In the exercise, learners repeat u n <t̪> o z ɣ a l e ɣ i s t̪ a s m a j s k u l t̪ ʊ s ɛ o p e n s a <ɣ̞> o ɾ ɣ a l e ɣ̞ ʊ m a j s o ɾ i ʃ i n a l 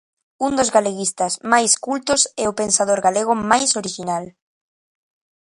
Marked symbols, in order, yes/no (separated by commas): no, no